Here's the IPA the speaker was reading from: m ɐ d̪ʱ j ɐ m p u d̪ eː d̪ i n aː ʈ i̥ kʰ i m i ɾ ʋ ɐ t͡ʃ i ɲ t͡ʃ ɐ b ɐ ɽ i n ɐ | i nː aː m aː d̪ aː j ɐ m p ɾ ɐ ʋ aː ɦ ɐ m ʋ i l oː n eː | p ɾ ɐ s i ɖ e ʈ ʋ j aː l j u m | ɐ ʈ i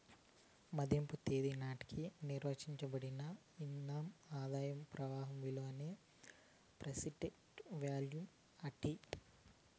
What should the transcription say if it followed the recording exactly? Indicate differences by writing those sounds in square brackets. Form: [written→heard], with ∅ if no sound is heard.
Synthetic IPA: m ɐ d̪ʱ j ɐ m p u [d̪→t̪] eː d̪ i n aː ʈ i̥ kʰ i [m→n] i ɾ ʋ ɐ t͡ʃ i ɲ t͡ʃ ɐ b ɐ ɽ i n ɐ | i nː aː m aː d̪ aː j ɐ m p ɾ ɐ ʋ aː ɦ ɐ m ʋ i l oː n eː | p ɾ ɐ s i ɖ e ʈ ʋ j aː l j u m | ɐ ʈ i